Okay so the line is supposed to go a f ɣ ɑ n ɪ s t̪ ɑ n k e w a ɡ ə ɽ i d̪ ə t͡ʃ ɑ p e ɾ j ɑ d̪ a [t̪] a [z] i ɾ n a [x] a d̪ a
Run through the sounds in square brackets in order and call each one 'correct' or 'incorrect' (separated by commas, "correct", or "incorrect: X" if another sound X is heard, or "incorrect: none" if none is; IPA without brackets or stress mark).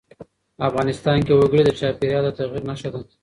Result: correct, incorrect: ɣ, incorrect: ʃ